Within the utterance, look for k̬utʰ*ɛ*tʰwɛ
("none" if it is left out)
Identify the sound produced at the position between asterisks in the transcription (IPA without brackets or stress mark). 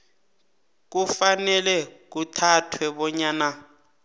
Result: a